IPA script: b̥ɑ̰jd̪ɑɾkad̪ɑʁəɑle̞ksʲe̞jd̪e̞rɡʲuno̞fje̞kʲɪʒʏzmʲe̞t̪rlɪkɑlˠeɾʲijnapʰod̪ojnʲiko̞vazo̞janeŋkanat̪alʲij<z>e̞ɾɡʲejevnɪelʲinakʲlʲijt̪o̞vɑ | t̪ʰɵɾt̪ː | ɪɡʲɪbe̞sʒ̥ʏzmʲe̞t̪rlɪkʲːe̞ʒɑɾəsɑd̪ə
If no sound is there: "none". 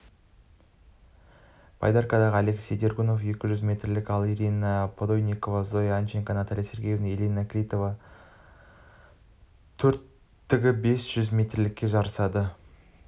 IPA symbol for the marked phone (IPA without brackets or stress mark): s